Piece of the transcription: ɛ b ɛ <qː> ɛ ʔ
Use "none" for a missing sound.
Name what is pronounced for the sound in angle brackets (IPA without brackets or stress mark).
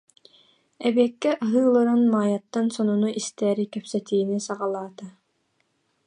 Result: kː